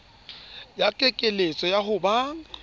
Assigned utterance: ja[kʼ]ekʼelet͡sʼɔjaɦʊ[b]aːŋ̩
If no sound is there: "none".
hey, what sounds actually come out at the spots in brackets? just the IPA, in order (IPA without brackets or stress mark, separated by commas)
kʼ, b